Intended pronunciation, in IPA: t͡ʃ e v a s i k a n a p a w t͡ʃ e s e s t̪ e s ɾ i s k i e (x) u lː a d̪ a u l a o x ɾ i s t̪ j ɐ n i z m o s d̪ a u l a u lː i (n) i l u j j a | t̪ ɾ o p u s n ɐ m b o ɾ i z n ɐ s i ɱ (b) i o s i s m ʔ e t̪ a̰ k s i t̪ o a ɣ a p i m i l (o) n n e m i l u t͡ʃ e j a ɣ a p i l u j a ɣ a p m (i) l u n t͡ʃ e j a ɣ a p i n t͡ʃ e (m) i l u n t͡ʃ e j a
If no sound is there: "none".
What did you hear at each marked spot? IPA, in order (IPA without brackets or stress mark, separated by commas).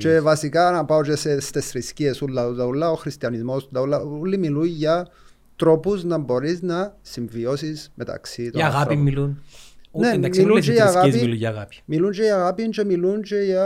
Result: s, m, v, u, i, m